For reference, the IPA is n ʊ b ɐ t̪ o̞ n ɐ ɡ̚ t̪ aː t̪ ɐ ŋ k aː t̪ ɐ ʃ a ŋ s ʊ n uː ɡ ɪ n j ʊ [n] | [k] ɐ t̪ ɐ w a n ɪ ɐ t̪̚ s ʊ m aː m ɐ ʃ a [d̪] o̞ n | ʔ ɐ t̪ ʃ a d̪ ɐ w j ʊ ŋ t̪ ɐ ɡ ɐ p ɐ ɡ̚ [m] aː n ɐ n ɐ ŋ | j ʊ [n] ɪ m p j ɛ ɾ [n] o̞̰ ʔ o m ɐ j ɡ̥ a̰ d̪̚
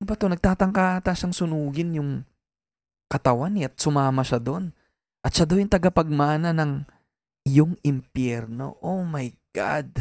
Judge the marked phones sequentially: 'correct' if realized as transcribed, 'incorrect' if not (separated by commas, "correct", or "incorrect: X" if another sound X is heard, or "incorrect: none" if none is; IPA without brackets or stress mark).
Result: incorrect: ŋ, correct, correct, correct, incorrect: ŋ, correct